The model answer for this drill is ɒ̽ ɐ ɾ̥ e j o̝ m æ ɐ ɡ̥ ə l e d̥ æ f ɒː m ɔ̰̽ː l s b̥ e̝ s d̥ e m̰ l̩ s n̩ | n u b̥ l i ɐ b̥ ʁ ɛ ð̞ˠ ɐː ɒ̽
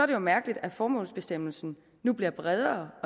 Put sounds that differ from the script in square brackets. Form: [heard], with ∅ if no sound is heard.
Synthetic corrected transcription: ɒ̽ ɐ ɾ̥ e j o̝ m æ ɐ ɡ̥ ə l [i] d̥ æ f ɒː m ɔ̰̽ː l s b̥ e̝ s d̥ e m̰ l̩ s n̩ | n u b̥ l i ɐ b̥ ʁ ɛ ð̞ˠ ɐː ɒ̽